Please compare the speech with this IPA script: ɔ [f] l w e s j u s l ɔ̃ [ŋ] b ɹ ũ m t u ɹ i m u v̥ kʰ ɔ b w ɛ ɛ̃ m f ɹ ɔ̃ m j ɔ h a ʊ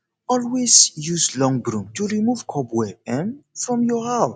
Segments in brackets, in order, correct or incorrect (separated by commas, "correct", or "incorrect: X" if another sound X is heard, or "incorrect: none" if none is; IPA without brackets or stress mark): incorrect: none, correct